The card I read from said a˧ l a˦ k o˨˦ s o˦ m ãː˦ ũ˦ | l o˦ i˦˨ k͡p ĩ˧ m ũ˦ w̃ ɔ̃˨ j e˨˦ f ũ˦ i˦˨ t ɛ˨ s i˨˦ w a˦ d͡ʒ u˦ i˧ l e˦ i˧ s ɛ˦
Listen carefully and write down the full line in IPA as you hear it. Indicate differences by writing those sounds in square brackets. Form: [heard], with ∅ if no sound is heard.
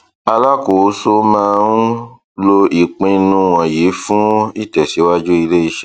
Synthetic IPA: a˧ l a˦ k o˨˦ s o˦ m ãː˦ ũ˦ | l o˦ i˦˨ k͡p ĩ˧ [n] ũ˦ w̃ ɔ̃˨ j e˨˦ f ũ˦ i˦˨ t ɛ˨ s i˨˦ w a˦ d͡ʒ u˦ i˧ l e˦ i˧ [ʃ] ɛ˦